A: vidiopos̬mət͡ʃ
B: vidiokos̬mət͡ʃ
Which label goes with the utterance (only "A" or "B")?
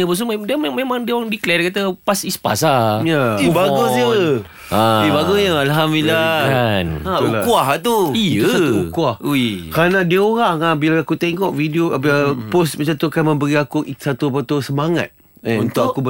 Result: A